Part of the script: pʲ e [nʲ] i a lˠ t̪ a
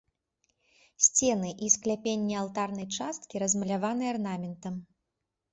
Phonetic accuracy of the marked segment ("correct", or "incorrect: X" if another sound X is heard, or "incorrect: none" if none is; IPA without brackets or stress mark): incorrect: nʲː